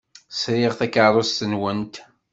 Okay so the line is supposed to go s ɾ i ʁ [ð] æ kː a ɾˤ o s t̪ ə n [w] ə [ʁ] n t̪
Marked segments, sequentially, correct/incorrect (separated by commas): incorrect, correct, incorrect